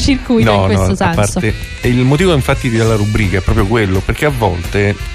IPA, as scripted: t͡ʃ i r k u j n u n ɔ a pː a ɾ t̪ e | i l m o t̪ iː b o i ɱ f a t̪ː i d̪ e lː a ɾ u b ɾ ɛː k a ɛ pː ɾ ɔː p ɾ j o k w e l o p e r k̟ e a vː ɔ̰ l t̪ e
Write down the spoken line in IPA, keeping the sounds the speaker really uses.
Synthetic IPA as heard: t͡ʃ i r k u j n ɔ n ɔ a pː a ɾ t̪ e | i l m o t̪ iː v o i ɱ f a t̪ː i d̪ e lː a ɾ u b ɾ iː k a ɛ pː ɾ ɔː p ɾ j o k w e lː o p e r k̟ e a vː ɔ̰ l t̪ e